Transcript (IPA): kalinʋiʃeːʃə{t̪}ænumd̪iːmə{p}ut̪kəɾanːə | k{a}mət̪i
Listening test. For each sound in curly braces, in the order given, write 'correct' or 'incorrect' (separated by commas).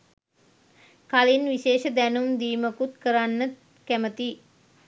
incorrect, incorrect, incorrect